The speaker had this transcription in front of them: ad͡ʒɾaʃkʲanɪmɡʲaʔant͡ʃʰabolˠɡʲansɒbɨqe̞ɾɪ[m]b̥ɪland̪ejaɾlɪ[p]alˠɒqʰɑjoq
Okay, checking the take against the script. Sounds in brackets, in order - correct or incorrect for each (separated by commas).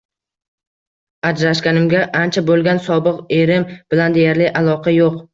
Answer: correct, incorrect